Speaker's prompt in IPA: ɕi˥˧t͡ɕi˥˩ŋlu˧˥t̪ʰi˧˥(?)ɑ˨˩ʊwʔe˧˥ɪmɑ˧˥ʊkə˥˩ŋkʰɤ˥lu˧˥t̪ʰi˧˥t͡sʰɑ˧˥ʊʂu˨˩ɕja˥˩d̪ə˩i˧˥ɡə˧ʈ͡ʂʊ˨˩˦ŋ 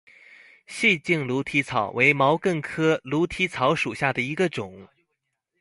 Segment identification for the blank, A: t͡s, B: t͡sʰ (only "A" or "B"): B